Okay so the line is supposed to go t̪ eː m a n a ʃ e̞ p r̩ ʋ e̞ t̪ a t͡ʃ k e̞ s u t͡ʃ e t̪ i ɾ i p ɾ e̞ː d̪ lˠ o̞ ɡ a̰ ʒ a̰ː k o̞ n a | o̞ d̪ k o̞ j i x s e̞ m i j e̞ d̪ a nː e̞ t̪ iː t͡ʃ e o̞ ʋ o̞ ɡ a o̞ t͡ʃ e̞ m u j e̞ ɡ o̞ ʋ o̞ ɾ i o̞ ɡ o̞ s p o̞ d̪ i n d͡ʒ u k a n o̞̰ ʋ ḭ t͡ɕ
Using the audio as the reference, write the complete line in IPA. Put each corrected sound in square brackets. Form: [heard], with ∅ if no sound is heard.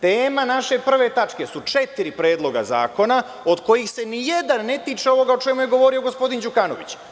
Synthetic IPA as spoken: t̪ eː m a n a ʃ e̞ p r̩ ʋ e̞ t̪ a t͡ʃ k e̞ s u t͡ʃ e t̪ i ɾ i p ɾ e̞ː d̪ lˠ o̞ ɡ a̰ [z] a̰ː k o̞ n a | o̞ d̪ k o̞ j i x s e̞ [n] i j e̞ d̪ a nː e̞ t̪ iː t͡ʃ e o̞ ʋ o̞ ɡ a o̞ t͡ʃ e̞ m u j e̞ ɡ o̞ ʋ o̞ ɾ i o̞ ɡ o̞ s p o̞ d̪ i n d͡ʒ u k a n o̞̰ ʋ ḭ t͡ɕ